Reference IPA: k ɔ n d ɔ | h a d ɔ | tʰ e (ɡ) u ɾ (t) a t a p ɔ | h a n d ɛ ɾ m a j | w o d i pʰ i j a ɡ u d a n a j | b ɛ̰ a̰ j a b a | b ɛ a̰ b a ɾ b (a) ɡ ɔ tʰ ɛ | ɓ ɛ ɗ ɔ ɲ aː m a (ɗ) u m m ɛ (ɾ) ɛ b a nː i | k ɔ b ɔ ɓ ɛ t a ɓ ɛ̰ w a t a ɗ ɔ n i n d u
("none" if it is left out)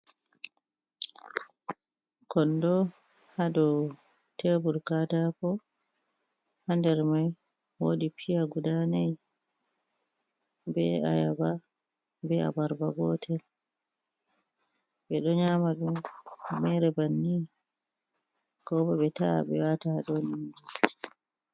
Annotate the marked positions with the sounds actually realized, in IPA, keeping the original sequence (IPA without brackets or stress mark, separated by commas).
b, k, a, ɗ, ɾ